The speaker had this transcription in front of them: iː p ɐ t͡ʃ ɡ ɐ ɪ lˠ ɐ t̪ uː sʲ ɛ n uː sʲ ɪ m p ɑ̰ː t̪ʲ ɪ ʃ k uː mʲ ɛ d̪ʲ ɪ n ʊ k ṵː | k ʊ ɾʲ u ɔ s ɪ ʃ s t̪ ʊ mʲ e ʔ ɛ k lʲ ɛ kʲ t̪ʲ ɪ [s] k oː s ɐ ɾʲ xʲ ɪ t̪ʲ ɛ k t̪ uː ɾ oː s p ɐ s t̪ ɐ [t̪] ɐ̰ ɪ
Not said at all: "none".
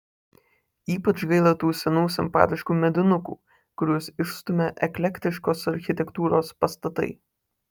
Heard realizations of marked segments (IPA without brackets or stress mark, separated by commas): ʃ, t̪